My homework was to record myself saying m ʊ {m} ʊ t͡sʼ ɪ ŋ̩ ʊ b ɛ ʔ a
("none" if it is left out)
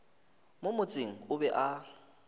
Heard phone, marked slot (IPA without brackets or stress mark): m